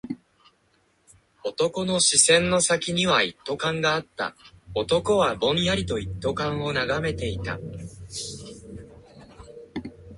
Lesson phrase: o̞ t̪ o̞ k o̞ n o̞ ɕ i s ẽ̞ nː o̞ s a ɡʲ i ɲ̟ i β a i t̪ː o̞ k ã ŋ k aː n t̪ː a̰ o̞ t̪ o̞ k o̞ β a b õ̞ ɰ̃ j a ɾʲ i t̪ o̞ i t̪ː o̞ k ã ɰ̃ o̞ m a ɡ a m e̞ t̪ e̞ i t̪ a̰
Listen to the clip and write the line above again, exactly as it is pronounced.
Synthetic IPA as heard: o̞ t̪ o̞ k o̞ n o̞ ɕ i s ẽ̞ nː o̞ s a kʲ i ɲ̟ i β a i t̪ː o̞ k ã ŋ ɡ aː t̪ː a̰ o̞ t̪ o̞ k o̞ β a b õ̞ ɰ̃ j a ɾʲ i t̪ o̞ i t̪ː o̞ k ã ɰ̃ o̞ n a ɡ a m e̞ t̪ e̞ i t̪ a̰